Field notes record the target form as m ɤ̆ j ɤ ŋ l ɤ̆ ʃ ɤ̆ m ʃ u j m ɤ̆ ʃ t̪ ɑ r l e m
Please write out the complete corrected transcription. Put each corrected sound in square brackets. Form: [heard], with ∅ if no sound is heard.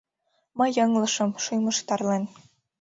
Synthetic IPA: m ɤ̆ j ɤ ŋ l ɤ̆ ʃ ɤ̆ m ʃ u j m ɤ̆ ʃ t̪ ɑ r l e [n]